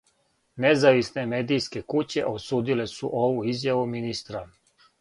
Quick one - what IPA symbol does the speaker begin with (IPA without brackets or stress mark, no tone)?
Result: n